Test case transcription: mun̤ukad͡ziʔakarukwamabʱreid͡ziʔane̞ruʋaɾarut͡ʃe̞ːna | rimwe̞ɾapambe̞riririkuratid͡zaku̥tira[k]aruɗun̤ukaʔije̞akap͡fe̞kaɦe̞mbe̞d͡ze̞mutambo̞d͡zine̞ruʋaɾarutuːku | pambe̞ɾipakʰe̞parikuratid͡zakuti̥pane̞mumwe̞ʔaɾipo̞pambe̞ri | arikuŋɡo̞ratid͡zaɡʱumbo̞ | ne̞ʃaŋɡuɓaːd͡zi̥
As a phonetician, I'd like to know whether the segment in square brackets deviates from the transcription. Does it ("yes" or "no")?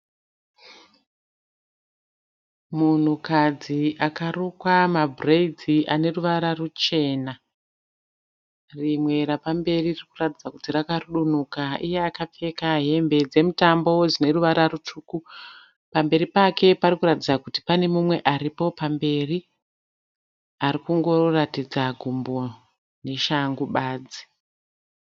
no